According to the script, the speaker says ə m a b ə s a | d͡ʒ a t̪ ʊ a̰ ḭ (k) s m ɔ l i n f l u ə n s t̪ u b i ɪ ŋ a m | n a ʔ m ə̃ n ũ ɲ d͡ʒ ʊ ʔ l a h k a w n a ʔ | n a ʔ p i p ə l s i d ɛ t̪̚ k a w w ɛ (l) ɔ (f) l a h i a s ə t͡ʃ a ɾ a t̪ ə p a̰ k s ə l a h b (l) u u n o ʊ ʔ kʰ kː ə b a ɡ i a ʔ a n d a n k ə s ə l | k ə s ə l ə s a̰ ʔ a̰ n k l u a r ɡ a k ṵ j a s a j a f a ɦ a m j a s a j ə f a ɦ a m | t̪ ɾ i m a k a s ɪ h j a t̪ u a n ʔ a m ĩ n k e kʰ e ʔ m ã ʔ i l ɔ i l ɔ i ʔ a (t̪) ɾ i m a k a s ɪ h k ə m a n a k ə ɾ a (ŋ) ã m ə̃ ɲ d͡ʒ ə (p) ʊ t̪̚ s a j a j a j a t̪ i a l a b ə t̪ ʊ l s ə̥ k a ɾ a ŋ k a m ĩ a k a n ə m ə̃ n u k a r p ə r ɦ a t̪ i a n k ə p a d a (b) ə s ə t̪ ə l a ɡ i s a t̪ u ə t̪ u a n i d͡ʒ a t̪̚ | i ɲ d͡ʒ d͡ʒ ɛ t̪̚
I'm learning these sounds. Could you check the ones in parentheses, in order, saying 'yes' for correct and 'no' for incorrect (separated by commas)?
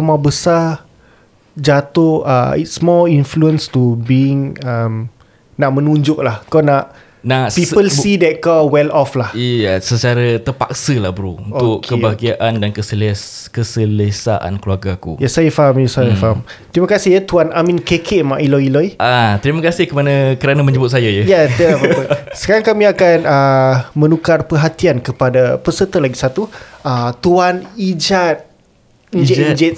no, yes, yes, no, yes, no, no, no